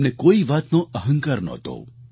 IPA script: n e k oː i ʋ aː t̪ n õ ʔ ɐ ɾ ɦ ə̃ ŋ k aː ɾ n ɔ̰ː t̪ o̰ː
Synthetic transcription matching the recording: n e k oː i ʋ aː t̪ n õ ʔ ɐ ɦ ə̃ ŋ k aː ɾ n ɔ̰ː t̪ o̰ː